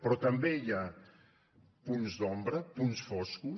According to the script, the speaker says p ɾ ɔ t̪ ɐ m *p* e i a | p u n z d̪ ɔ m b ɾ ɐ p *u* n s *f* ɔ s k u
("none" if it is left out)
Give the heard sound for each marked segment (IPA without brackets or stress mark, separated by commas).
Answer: b, u, f